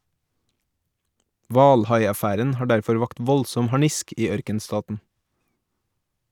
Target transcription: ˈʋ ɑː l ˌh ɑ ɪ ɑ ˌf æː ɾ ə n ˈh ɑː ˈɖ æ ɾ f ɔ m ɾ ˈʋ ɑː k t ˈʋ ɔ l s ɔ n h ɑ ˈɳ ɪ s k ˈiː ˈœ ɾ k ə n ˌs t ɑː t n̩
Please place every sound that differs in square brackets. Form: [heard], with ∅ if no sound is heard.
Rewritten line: ˈʋ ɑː l ˌh ɑ ɪ ɑ ˌf æː ɾ ə n ˈh ɑː ˈɖ æ ɾ f ɔ [∅] ɾ ˈʋ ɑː k t ˈʋ ɔ l s ɔ [m] h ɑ ˈɳ ɪ s k ˈiː ˈœ ɾ k ə n ˌs t ɑː t n̩